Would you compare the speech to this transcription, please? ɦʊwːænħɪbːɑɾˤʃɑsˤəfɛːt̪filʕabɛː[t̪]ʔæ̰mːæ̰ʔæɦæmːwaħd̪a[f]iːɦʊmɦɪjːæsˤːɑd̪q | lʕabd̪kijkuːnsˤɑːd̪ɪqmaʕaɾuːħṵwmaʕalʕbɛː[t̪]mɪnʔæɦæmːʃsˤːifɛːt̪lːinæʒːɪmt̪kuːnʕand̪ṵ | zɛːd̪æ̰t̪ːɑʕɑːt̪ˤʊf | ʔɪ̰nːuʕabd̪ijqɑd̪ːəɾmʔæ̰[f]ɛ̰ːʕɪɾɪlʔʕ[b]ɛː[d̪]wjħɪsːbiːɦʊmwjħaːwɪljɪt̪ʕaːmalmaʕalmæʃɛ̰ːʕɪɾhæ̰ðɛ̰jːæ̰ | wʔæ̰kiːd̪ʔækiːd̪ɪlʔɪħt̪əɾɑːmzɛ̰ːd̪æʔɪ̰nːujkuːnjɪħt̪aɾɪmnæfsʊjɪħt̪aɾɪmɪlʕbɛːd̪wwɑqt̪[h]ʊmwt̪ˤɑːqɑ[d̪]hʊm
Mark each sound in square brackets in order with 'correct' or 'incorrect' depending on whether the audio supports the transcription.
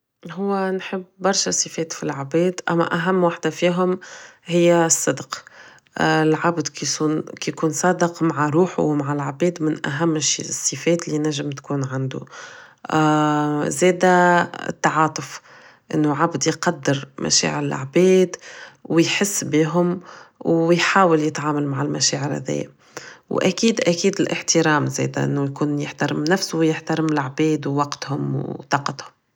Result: incorrect: d̪, correct, incorrect: d̪, incorrect: ʃ, correct, correct, correct, incorrect: t̪

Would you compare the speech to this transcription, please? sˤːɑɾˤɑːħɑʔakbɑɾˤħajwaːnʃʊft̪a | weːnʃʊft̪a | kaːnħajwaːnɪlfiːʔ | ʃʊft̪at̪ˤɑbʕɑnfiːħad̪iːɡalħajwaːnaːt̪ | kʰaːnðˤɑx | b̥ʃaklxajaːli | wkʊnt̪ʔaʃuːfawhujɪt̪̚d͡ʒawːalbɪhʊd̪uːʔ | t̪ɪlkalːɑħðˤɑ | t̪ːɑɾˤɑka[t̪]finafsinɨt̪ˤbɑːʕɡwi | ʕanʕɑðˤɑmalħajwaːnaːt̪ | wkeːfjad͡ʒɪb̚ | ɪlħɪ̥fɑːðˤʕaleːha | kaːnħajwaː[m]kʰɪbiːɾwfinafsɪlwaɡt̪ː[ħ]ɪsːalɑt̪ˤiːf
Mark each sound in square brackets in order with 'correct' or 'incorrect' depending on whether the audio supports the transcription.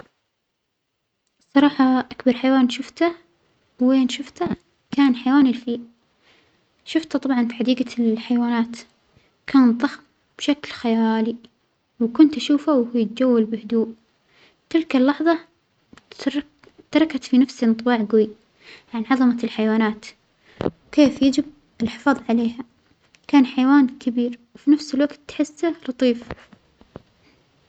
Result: correct, incorrect: n, correct

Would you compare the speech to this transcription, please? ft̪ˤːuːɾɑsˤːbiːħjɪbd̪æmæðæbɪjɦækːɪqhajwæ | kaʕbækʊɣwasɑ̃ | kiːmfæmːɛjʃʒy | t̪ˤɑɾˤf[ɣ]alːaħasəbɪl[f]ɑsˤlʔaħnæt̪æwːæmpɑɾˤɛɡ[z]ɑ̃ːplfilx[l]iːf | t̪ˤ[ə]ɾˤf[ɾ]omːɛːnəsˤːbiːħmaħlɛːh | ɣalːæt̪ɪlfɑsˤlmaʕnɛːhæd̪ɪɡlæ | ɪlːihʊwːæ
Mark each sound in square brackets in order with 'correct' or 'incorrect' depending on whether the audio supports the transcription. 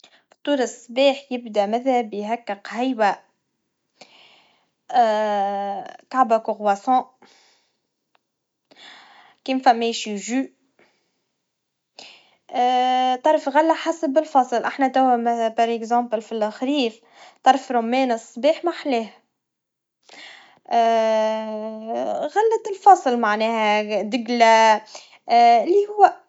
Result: correct, correct, correct, incorrect: ɾ, incorrect: ɑ, correct

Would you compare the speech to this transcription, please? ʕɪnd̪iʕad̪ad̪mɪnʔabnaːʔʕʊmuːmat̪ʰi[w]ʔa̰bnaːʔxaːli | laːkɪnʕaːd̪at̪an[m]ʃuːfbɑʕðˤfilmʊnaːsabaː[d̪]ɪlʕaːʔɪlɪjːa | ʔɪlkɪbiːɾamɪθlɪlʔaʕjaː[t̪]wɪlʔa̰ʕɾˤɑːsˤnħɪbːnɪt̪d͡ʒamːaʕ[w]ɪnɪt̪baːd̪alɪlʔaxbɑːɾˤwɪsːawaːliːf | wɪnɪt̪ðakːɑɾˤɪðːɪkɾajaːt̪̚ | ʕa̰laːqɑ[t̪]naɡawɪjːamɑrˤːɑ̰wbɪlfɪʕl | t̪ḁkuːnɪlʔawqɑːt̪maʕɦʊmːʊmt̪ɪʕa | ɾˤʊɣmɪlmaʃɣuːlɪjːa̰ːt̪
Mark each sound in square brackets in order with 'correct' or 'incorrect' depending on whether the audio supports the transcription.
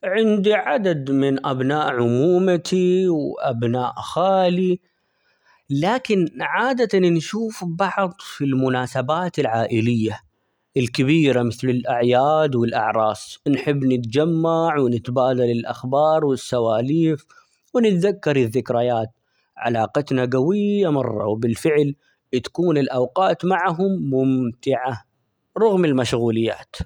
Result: correct, incorrect: n, incorrect: t̪, incorrect: d̪, correct, correct

